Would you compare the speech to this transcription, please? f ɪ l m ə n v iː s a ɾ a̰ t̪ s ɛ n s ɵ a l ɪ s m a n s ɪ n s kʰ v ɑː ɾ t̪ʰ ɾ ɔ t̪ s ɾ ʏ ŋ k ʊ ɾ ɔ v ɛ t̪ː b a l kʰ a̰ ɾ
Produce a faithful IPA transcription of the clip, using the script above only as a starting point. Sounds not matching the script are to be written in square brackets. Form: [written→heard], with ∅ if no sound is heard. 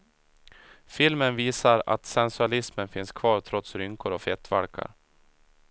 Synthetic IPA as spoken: f ɪ l m ə n v iː s a ɾ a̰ t̪ s ɛ n s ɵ a l ɪ s m [a→ə] n [s→f] ɪ n s kʰ v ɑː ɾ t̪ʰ ɾ ɔ t̪ s ɾ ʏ ŋ k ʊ ɾ ɔ [v→f] ɛ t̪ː [b→v] a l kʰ a̰ ɾ